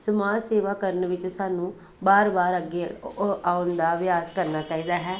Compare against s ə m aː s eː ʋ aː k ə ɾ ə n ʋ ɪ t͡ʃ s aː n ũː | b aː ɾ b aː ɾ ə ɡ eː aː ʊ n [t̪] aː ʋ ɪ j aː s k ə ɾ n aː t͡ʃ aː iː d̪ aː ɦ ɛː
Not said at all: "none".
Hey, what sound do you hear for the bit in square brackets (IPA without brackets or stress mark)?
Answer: d̪